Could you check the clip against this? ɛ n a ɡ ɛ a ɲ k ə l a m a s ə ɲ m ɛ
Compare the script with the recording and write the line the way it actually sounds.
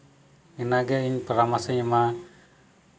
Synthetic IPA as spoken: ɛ n a ɡ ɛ i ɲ p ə ɾ a m a s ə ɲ m a